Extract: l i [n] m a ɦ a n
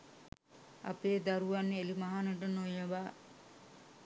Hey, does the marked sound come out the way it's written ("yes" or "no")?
no